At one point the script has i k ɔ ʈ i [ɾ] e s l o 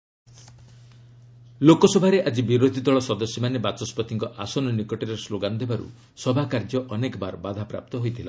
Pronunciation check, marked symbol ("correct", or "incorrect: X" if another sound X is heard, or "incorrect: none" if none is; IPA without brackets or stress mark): correct